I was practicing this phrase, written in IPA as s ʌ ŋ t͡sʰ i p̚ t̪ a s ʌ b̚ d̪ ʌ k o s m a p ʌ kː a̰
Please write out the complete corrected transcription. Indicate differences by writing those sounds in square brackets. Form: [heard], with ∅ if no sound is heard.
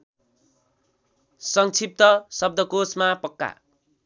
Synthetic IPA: s ʌ ŋ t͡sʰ i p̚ t̪ [ʌ] s ʌ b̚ d̪ ʌ k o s m a p ʌ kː a̰